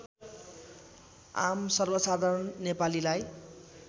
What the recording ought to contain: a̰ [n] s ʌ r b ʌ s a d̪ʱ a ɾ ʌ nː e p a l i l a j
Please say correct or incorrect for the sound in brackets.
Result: incorrect